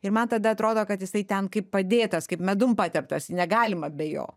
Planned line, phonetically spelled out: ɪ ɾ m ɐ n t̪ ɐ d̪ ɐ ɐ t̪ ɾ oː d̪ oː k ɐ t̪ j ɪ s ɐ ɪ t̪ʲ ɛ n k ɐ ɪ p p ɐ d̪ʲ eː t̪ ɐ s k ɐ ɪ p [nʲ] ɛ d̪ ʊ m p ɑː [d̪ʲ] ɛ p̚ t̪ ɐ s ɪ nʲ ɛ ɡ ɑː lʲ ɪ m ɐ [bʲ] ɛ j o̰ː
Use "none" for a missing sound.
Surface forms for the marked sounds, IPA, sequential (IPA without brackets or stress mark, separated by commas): mʲ, t̪ʲ, bʲ